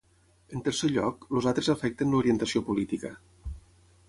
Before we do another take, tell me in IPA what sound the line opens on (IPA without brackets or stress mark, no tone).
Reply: ə